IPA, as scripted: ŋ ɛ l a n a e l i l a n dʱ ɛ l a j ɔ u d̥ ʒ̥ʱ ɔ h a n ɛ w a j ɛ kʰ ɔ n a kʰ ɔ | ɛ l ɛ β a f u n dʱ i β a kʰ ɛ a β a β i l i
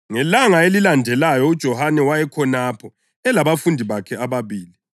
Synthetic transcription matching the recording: ŋ ɛ l a ŋ a e l i l a n dʱ ɛ l a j ɔ u d̥ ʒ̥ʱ ɔ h a n ɛ w a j ɛ kʰ ɔ n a pʰ ɔ | ɛ l a β a f u n dʱ i β a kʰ ɛ a β a β iː l i